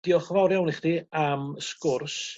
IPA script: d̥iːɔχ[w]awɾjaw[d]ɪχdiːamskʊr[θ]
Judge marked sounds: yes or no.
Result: no, no, no

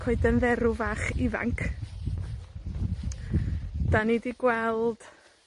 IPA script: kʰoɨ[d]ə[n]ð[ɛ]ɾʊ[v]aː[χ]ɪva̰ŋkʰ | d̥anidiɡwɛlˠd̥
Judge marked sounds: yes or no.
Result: yes, yes, yes, yes, yes

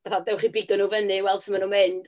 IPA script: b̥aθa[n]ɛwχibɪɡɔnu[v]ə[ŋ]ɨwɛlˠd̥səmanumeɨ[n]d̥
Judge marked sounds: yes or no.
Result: no, yes, no, yes

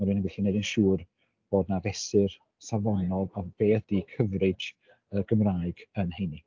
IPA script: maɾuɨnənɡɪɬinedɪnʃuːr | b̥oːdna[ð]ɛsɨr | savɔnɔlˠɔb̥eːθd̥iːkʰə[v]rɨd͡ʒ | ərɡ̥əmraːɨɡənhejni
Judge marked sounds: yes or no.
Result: no, yes

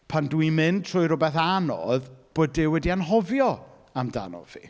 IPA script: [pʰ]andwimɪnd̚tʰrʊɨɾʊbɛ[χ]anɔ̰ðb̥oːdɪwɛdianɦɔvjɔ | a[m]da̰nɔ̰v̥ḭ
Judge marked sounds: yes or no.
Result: yes, no, yes

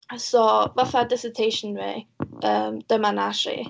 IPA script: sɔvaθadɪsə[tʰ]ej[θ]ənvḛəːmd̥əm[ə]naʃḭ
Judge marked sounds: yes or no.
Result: yes, no, no

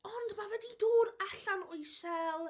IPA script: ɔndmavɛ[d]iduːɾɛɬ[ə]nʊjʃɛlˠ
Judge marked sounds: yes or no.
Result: yes, no

